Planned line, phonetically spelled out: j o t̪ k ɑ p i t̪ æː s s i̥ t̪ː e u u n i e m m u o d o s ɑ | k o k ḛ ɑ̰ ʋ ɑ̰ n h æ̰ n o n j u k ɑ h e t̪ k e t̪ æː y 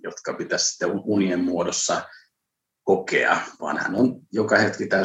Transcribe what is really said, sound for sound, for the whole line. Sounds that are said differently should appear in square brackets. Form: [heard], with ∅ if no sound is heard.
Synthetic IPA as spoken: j o t̪ k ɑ p i t̪ [æ] s s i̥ t̪ː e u u n i e m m u o d o [sː] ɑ | k o k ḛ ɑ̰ ʋ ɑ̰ n h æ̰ n o n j [o] k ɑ h e t̪ k [i] t̪ [æ] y